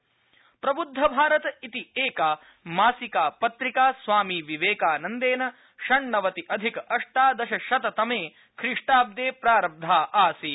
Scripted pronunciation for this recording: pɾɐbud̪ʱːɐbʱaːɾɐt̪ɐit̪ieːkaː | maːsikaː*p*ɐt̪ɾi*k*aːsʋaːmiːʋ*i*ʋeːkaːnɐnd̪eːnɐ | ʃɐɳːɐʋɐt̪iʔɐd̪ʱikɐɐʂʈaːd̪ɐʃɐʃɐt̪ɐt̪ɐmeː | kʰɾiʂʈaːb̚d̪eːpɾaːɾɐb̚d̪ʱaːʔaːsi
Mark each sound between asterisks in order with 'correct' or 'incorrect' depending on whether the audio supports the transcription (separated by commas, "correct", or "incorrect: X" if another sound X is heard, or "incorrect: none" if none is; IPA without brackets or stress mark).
correct, correct, correct